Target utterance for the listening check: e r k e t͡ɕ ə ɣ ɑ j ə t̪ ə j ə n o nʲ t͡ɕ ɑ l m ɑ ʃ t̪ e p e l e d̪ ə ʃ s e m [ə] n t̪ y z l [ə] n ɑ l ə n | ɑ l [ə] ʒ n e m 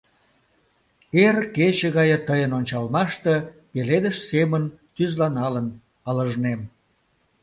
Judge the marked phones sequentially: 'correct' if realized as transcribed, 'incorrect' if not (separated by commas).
correct, incorrect, correct